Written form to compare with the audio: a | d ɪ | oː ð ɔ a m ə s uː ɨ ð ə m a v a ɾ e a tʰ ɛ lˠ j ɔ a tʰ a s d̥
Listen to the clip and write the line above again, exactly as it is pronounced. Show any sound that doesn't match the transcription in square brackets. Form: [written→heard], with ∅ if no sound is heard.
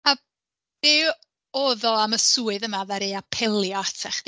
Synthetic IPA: a | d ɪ | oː ð ɔ a m ə s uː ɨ ð ə m a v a ɾ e a [tʰ→pʰ] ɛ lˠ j ɔ a tʰ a [s→χ] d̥